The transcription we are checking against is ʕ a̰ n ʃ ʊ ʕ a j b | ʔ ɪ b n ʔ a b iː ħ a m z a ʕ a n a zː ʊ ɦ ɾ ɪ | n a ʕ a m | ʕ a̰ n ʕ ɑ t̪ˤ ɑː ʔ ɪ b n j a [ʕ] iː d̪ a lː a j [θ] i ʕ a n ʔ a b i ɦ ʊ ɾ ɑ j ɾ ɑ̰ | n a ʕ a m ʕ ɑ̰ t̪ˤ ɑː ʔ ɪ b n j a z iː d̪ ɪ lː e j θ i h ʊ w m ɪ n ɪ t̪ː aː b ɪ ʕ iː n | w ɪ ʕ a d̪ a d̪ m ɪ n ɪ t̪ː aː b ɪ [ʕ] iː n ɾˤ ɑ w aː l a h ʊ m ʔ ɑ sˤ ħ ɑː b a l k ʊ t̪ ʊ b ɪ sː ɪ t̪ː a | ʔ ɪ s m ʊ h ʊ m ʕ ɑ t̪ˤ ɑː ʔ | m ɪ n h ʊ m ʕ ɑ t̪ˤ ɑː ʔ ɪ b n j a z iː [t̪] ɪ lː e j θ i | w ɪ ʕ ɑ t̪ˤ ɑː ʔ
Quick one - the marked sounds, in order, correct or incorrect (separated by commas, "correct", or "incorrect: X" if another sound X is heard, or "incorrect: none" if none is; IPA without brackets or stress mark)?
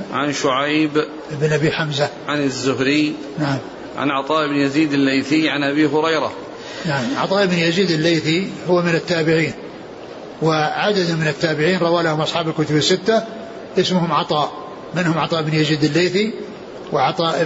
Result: incorrect: z, correct, correct, incorrect: d̪